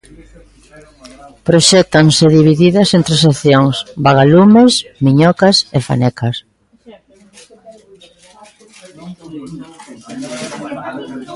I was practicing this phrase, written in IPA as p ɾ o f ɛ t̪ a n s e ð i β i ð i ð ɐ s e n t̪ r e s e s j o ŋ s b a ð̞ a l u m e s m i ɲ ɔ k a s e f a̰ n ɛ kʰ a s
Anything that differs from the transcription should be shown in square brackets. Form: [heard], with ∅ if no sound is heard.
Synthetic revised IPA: p ɾ o [ʃ] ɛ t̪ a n s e ð i β i ð i ð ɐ s e n t̪ [ɾ] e s e [θ] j o ŋ s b a [ɣ̞] a l u m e s m i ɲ ɔ k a s e f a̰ n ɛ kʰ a s